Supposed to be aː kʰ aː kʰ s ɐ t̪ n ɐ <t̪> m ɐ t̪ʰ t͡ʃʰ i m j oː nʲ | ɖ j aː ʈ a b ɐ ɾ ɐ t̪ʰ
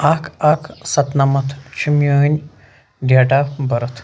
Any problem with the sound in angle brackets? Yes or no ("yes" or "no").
yes